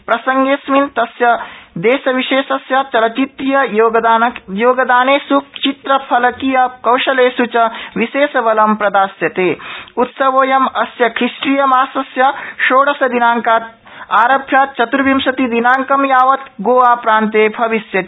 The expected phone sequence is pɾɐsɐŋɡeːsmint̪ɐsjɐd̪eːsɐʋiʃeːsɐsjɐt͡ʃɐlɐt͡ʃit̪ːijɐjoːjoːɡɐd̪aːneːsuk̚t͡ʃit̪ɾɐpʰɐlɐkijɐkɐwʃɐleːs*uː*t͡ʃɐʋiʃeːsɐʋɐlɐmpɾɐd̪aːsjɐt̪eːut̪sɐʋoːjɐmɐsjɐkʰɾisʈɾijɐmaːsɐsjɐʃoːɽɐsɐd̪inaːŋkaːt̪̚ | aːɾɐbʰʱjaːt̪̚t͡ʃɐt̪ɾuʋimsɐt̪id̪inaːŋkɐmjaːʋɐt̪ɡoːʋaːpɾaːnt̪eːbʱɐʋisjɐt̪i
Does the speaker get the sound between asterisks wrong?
yes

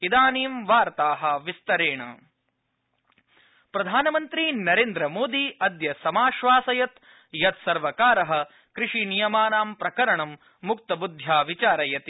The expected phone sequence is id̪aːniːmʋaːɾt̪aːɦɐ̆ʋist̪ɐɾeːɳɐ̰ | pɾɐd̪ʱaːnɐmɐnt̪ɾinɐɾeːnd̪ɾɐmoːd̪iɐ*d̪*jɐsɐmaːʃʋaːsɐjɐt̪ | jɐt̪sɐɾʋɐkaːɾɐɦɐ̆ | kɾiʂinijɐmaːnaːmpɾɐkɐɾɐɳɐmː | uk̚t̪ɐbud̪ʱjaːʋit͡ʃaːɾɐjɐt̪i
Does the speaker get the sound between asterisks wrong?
no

